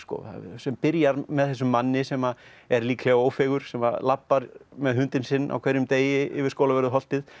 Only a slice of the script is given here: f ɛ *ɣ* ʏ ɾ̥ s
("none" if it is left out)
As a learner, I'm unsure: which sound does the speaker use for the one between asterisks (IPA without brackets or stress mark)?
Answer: ɣ